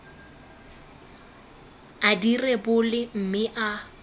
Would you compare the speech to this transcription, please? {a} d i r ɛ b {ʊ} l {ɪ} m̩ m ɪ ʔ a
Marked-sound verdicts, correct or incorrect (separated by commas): correct, correct, correct